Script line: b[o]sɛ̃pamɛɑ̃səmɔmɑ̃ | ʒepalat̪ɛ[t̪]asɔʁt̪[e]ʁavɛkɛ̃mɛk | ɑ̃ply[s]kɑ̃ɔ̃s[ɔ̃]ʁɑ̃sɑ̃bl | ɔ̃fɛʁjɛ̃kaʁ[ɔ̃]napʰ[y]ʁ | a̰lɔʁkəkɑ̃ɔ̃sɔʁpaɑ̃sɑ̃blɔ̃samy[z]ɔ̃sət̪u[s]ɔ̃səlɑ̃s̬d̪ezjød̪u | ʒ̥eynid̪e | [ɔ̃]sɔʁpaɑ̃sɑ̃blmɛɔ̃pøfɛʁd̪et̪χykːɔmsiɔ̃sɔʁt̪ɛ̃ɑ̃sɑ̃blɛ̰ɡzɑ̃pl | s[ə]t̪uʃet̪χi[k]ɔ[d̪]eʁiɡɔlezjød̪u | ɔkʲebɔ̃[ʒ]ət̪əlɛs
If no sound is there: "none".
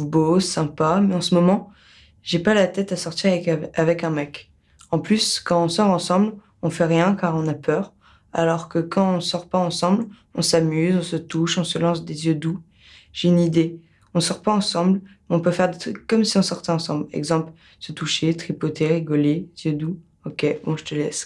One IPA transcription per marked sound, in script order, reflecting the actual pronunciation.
o, t̪, i, s, ɔ, ɔ̃, œ, z, ʃ, ɔ̃, ə, p, t̪, ʒ

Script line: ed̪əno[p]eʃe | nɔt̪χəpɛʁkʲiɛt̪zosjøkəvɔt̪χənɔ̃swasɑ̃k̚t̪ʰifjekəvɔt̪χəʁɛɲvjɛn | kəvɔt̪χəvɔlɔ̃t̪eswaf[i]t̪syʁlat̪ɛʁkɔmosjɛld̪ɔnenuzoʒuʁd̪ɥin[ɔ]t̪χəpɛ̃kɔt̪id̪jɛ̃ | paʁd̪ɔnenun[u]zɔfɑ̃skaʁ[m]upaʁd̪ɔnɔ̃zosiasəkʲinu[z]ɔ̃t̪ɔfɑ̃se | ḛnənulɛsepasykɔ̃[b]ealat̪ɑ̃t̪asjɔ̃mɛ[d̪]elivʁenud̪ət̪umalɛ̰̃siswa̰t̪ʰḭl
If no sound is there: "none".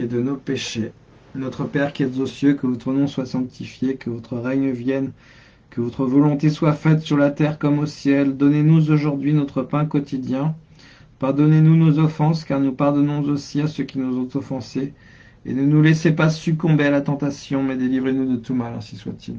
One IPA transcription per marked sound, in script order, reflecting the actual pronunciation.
p, ɛ, ɔ, o, n, z, b, d̪

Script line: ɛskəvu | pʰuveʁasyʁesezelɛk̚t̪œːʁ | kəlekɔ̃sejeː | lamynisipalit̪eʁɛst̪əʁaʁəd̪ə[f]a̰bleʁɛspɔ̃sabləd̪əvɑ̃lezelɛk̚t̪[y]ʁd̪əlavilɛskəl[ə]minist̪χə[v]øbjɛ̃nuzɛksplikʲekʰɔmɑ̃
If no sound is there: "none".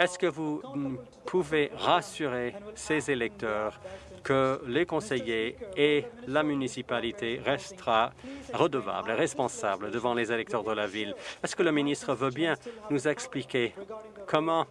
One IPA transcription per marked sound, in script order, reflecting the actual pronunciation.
v, œ, ə, v

